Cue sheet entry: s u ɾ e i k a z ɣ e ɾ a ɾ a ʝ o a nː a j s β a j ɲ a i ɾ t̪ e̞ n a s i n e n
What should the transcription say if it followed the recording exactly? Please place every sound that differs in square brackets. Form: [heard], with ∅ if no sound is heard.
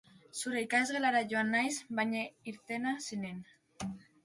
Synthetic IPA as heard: s u ɾ e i k a z ɣ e [l] a ɾ a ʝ o a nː a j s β a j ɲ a i ɾ t̪ e̞ n a s i n e n